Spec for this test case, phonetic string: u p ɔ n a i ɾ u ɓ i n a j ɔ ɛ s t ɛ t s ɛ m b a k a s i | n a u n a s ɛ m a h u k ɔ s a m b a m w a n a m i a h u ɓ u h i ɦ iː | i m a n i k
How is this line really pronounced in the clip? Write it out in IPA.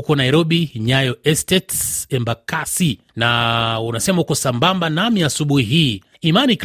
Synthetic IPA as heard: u k ɔ n a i ɾ ɔ ɓ i ɲ a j ɔ ɛ s t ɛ t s ɛ m b a k a s i | n a u n a s ɛ m a h u k ɔ s a m b a m b a n a m i a s u ɓ u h i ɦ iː | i m a n i k